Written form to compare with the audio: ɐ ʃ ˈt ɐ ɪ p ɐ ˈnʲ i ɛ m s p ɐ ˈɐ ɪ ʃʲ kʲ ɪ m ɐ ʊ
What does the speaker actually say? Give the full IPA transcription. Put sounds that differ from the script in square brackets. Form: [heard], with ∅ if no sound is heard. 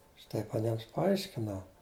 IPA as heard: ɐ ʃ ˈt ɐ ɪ p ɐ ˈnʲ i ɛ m s p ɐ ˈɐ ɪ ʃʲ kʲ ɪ [n] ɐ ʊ